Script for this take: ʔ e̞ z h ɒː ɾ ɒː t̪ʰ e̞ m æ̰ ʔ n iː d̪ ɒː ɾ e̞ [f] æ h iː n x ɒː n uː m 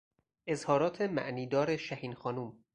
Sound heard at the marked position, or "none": ʃ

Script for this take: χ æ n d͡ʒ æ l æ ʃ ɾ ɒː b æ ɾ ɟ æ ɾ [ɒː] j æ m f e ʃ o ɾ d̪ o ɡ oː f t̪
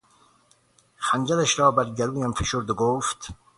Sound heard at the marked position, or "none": uː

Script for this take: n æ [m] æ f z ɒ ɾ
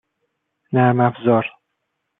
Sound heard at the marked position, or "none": m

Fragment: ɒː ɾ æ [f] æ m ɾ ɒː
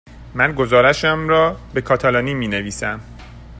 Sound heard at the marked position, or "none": ʃ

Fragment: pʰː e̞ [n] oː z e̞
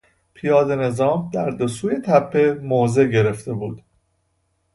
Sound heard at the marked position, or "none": m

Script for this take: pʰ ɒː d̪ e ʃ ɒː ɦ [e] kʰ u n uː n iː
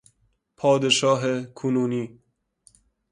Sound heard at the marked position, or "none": e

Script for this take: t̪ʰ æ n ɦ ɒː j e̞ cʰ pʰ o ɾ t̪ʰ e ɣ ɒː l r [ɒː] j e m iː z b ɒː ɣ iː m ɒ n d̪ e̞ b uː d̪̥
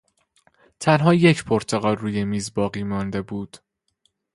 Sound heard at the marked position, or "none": uː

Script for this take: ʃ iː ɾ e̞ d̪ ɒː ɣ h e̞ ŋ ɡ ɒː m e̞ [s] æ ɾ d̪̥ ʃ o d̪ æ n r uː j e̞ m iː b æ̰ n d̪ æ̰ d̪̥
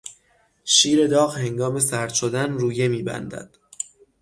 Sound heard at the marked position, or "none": s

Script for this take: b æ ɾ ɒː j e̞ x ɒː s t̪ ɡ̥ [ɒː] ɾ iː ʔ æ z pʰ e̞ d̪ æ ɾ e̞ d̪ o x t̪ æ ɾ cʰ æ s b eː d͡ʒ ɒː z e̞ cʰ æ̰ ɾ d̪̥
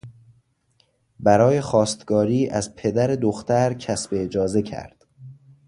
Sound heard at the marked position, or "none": ɒː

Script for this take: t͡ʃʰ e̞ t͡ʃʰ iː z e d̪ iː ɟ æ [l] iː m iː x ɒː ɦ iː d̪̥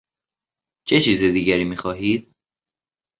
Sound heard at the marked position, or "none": ɾ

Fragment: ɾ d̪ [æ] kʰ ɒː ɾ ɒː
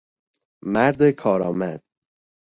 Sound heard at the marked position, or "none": e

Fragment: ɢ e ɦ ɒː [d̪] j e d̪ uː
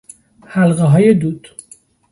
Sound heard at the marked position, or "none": none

